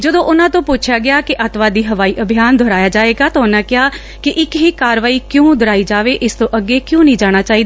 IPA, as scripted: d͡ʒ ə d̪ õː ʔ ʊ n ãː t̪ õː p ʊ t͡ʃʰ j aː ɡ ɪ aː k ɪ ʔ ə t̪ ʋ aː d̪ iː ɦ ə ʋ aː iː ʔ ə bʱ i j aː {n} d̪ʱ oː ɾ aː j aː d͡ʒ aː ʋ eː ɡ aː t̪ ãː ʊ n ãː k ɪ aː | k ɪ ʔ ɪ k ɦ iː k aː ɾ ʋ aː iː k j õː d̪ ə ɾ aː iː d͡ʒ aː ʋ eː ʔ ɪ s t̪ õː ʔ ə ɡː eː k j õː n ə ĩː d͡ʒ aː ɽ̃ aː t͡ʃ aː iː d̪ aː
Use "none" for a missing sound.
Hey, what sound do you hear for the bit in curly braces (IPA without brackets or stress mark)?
n